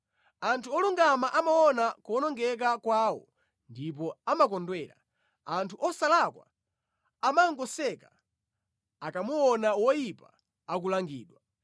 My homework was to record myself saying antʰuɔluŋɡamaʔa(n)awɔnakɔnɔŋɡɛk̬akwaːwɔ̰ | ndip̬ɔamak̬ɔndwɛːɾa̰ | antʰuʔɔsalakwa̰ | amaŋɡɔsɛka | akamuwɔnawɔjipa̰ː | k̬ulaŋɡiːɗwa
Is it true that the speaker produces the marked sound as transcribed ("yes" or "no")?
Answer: no